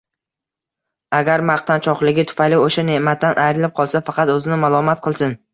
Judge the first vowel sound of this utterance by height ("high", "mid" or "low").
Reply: low